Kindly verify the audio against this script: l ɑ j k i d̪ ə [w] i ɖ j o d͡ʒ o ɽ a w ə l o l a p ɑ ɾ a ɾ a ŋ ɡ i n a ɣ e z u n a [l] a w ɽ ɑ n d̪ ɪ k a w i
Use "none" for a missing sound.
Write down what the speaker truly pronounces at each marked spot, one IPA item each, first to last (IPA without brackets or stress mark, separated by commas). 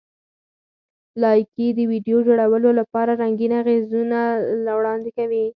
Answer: w, l